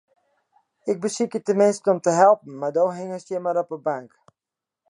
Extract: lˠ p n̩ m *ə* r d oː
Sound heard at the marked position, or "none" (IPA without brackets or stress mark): a